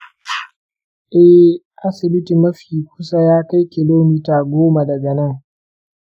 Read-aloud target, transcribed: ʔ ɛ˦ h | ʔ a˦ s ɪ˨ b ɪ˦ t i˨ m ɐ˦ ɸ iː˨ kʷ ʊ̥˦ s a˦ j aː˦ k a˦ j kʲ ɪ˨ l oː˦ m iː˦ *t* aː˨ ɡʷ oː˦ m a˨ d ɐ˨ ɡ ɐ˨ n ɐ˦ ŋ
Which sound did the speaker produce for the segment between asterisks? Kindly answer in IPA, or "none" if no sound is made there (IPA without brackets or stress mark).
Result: t